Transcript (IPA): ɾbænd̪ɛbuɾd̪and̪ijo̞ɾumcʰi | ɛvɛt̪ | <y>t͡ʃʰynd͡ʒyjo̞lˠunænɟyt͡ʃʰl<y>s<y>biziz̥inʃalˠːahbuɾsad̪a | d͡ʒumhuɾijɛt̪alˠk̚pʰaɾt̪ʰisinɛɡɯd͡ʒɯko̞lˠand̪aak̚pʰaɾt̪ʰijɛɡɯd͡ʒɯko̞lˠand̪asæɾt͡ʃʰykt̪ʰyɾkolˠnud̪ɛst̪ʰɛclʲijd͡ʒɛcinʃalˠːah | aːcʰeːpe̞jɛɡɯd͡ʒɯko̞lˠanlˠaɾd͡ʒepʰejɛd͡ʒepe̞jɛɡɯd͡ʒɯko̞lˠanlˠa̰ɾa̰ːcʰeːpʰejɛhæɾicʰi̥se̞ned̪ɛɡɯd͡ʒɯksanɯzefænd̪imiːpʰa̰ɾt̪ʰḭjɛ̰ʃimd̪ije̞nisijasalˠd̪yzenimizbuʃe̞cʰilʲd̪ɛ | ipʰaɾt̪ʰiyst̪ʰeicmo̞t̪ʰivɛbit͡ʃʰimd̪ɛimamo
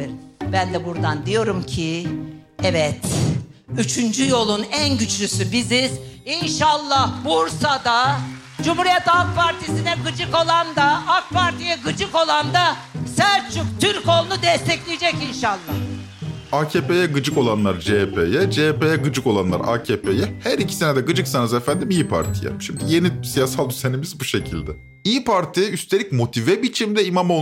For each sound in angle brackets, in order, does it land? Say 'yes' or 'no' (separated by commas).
yes, yes, yes